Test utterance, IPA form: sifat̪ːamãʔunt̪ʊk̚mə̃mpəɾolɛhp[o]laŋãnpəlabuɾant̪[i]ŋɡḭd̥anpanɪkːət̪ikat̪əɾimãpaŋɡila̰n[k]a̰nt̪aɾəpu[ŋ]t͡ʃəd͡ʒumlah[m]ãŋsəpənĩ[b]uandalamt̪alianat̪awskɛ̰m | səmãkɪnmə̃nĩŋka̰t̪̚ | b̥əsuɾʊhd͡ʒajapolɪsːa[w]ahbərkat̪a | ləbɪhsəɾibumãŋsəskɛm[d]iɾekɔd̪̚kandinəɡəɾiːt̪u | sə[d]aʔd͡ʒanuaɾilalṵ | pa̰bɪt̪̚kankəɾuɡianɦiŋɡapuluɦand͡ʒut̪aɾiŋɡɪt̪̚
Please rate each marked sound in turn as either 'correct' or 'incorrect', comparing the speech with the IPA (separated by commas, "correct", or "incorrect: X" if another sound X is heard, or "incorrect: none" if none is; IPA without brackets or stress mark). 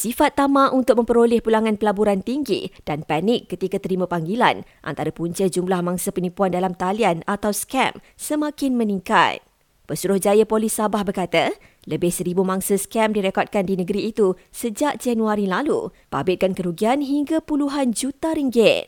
incorrect: u, correct, incorrect: ʔ, incorrect: ɲ, correct, incorrect: p, incorrect: b, correct, incorrect: d͡ʒ